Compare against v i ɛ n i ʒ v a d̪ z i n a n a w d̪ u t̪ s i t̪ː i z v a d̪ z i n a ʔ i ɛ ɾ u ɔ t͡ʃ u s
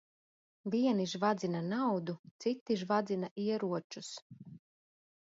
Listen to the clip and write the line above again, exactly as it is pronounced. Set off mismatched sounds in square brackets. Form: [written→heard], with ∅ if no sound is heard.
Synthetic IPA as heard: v i ɛ n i ʒ v a d̪ z i n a n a w d̪ u t̪ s i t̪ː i [z→ʒ] v a d̪ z i n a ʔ i ɛ ɾ u ɔ t͡ʃ u s